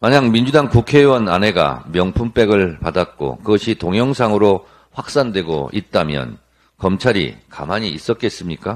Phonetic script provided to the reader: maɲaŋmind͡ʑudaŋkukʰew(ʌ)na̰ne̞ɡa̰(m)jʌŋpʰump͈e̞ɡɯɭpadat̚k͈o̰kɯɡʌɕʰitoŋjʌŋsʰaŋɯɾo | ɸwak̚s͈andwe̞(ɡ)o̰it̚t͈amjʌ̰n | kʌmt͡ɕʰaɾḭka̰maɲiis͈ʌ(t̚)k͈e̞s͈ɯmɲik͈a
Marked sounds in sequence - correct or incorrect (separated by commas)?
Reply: correct, correct, correct, correct